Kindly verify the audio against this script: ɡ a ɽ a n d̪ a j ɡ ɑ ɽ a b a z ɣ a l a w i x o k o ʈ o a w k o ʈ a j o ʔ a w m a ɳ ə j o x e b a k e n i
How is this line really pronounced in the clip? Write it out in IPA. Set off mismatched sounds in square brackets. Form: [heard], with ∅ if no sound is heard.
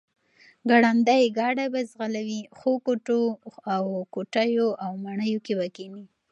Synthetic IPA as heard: ɡ a ɽ a n d̪ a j ɡ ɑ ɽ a b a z ɣ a l a w i x o k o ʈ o a w k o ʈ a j o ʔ a w m a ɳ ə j o [k] e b a k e n i